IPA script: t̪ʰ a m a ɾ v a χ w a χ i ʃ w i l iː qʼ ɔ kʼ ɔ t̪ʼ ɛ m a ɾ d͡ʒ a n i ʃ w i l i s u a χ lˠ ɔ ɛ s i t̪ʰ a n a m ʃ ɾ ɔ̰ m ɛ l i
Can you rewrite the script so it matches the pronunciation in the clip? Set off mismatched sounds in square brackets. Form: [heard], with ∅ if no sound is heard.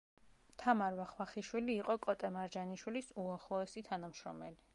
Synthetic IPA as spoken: t̪ʰ a m a ɾ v a χ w a χ i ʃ w i l iː qʼ ɔ kʼ ɔ t̪ʼ ɛ m a ɾ d͡ʒ a n i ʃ w i l i s u a χ lˠ ɔ ɛ s i t̪ʰ a n a m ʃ ɾ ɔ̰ m ɛ l i